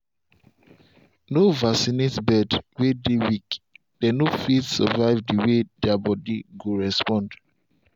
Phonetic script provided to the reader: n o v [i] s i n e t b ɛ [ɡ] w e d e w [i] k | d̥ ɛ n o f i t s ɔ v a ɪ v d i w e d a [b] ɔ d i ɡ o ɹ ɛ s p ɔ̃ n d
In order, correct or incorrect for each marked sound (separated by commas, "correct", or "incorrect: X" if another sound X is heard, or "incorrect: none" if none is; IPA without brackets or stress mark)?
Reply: incorrect: a, incorrect: d, correct, correct